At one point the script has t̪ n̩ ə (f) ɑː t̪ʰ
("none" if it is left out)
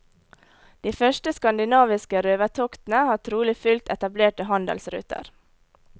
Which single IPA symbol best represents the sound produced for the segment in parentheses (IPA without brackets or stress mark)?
h